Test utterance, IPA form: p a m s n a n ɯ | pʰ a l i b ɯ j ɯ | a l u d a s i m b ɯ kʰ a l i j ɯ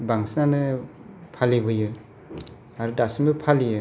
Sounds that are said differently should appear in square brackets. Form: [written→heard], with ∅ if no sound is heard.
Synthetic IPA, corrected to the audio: [p→b] a [m→ŋ] s n a n ɯ | pʰ a l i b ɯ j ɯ | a [l→ɾ] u d a s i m b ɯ [kʰ→pʰ] a l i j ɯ